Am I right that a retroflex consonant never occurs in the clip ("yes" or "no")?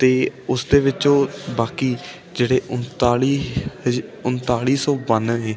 no